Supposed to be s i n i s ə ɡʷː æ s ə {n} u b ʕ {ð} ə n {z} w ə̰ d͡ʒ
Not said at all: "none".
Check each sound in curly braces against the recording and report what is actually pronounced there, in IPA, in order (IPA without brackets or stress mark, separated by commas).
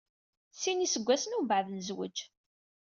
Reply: n, ð, z